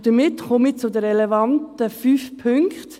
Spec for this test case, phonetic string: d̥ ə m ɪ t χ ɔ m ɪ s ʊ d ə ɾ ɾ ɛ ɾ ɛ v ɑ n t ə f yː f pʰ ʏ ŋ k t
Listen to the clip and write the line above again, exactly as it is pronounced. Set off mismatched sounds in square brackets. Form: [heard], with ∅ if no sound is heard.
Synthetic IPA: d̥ ə m ɪ t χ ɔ m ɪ [t͡s] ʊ d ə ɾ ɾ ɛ [l] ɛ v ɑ n t ə f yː f pʰ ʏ ŋ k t